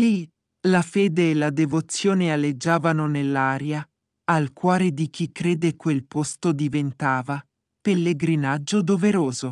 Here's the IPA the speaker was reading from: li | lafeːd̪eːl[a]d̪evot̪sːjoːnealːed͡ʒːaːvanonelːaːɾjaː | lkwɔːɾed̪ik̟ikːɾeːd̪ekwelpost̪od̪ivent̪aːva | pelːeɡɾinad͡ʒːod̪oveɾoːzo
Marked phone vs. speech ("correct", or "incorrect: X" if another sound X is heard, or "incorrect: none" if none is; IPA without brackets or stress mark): correct